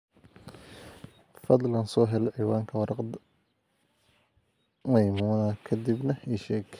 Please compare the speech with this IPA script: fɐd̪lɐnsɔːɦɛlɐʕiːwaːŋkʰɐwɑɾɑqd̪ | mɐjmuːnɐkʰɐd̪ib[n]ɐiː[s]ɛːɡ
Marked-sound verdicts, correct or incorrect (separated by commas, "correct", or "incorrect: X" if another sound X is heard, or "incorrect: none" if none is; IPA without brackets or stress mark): correct, incorrect: ʃ